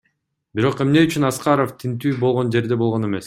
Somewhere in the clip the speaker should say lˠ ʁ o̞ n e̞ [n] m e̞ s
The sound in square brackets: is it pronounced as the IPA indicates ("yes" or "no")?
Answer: no